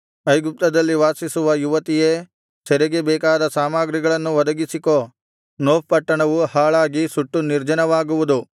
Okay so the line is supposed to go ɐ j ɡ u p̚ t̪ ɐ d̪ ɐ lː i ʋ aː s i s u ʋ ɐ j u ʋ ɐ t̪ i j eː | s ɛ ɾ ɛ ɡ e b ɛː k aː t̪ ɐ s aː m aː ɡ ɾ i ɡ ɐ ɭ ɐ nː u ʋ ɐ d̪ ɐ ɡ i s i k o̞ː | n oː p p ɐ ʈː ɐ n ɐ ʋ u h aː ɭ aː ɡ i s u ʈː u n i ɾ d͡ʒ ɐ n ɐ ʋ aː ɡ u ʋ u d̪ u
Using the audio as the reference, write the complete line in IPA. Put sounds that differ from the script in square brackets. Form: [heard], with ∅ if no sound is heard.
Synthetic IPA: ɐ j ɡ u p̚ t̪ ɐ d̪ ɐ lː i ʋ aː s i s u ʋ ɐ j u ʋ ɐ t̪ i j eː | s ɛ ɾ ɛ ɡ e b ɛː k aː [d̪] ɐ s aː m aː ɡ ɾ i ɡ ɐ ɭ ɐ nː u ʋ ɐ d̪ ɐ ɡ i s i k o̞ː | n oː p p ɐ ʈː ɐ [ɳ] ɐ ʋ u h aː ɭ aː ɡ i s u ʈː u n i ɾ d͡ʒ ɐ n ɐ ʋ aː ɡ u ʋ u d̪ u